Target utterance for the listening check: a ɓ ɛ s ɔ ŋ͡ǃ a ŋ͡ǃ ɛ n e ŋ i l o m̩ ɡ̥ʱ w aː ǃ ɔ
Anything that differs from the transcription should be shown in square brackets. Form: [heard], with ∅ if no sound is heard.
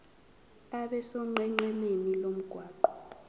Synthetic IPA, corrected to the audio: a ɓ ɛ s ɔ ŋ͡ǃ [ɛ] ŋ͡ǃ ɛ n e [n] i l o m̩ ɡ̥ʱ w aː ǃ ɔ